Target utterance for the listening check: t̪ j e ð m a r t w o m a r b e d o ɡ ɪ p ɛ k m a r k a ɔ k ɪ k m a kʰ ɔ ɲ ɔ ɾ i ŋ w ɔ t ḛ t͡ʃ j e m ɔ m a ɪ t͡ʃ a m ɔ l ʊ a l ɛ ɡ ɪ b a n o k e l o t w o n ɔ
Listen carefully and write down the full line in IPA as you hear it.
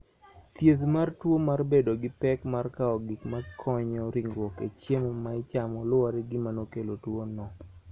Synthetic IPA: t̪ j e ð m a r t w o m a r b e d o ɡ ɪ p ɛ k m a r k a ɔ ɡ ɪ k m a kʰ ɔ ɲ ɔ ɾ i ŋ w ɔ k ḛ t͡ʃ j e m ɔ m a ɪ t͡ʃ a m ɔ l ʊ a ɾ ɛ ɡ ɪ m a n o k e l o t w o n ɔ